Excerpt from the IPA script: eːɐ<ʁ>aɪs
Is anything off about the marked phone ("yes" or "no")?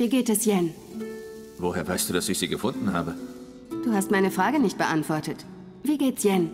yes